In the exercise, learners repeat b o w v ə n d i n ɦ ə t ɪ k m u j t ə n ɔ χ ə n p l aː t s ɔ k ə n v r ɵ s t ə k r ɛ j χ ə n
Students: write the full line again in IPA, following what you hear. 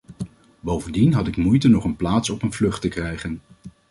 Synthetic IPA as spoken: b o w v ə n d i n ɦ ɑ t ɪ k m u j t ə n ɔ χ ə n p l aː t s ɔ p ə n v l ɵ χ t ə k r ɛ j χ ə n